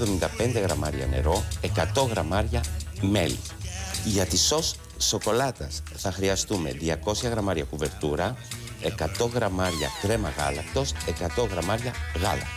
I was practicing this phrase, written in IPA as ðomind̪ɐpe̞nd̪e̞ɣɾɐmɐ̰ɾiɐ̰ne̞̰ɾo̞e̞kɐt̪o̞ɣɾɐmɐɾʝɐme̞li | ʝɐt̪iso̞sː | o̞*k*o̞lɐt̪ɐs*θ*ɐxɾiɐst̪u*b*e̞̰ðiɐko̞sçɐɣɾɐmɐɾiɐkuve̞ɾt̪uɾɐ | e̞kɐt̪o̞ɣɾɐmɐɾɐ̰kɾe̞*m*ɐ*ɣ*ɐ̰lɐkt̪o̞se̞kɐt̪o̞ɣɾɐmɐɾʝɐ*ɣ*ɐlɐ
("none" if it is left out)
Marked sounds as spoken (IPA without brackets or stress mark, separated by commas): k, θ, m, m, ɣ, ɣ